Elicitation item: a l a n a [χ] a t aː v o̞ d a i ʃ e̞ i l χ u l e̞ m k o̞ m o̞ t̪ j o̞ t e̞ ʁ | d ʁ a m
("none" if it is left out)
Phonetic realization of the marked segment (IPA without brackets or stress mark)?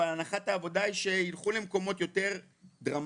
χ